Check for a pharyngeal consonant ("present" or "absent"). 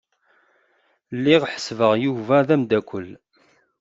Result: present